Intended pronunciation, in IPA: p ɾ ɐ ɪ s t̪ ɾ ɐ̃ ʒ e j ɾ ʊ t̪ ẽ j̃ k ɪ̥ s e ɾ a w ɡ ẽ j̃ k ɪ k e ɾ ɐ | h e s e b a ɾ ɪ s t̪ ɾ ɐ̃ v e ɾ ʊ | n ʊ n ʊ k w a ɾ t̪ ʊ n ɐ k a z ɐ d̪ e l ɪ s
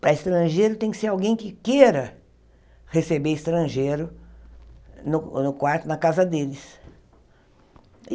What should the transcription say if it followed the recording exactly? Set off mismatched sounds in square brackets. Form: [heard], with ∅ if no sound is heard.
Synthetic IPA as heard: p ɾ ɐ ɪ s t̪ ɾ ɐ̃ ʒ e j ɾ ʊ t̪ ẽ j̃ k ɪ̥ s e ɾ a w ɡ ẽ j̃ k ɪ k e ɾ ɐ | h e s e b [e] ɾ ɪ s t̪ ɾ ɐ̃ [ʒ] e ɾ ʊ | n ʊ n ʊ k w a ɾ t̪ ʊ n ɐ k a z ɐ d̪ e l ɪ s